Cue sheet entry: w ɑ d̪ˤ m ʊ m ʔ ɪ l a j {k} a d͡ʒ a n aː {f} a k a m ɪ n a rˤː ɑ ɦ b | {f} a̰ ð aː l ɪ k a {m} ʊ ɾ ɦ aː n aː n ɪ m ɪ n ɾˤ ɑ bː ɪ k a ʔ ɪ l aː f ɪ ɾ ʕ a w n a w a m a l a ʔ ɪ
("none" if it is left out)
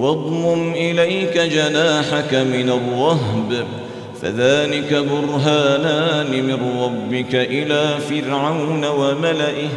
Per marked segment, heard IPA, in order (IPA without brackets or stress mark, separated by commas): k, ħ, f, b